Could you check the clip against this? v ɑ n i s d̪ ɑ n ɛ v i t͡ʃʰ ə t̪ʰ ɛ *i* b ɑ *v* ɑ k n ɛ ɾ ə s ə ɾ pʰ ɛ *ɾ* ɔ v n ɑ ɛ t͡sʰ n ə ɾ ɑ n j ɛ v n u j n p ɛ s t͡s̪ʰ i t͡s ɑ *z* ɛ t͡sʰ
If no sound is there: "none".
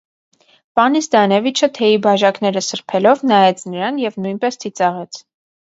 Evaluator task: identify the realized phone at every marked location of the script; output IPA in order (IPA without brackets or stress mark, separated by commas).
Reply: i, ʒ, l, ʁ